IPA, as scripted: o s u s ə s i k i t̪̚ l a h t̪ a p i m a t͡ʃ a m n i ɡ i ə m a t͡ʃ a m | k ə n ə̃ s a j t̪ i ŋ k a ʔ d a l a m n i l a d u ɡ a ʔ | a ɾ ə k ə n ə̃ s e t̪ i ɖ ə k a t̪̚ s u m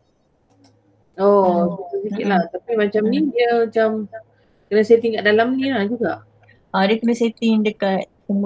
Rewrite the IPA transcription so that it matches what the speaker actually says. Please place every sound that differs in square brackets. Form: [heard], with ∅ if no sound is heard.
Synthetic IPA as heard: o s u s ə s i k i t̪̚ l a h t̪ a p i m a t͡ʃ a m n i [d] i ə m a t͡ʃ a m | k ə n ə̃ s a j t̪ i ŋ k a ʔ d a l a m n i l a [d͡ʒ] u ɡ a ʔ | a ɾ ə k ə n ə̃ s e t̪ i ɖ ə k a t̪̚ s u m